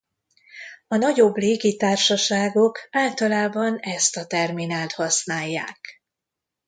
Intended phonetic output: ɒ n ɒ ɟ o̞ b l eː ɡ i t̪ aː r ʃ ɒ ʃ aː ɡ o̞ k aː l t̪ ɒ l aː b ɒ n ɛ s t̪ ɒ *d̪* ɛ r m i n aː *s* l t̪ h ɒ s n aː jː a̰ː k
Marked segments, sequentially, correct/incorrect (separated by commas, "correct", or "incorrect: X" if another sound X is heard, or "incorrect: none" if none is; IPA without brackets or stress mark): incorrect: t̪, incorrect: none